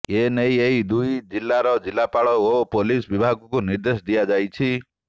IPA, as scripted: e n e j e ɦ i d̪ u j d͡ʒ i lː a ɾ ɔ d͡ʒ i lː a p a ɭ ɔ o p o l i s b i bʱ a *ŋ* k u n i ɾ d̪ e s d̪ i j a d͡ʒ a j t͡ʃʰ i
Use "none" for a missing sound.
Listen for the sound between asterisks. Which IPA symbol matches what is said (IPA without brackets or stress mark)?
ɡ